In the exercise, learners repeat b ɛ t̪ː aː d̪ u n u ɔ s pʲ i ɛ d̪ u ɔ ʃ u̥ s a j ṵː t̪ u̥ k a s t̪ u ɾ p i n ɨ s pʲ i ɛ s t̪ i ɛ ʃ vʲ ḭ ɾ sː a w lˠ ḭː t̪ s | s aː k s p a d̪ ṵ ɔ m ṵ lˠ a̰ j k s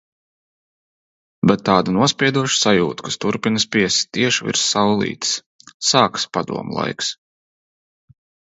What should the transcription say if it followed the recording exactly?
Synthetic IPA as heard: b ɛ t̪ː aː d̪ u n u ɔ s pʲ i ɛ d̪ u ɔ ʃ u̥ s a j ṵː t̪ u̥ k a s t̪ u ɾ p i n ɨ s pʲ i ɛ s t̪ i ɛ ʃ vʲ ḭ ɾ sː a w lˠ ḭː t̪ s | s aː k s p a d̪ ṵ ɔ m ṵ lˠ a̰ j k s